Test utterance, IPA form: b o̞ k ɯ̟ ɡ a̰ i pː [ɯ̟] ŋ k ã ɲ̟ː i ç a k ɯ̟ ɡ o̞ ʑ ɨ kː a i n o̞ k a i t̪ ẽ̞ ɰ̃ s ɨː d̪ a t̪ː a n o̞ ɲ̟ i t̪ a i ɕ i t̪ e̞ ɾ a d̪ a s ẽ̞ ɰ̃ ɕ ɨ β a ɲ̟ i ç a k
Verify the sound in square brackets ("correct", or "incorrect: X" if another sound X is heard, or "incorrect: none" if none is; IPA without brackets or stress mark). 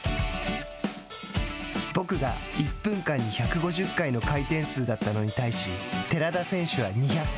incorrect: ɯ̟̃